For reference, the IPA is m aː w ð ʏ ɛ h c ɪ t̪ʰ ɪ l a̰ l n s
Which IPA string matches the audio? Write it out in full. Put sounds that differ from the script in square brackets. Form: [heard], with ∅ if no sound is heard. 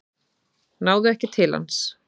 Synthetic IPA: [n] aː w ð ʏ ɛ h c ɪ t̪ʰ ɪ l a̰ [∅] n s